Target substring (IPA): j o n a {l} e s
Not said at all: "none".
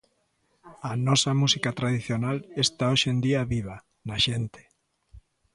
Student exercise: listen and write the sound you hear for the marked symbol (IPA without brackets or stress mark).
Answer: l